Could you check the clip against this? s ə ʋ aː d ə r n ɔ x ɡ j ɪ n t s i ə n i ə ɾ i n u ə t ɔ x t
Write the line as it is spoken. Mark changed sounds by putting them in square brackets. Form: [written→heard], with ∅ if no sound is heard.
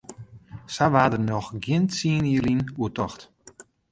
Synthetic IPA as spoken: s [ə→a] ʋ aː d ə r n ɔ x ɡ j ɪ n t s i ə n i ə [ɾ→l] i n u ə t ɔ x t